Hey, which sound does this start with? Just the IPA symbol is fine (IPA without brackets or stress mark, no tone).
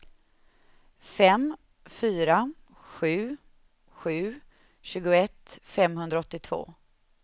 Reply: f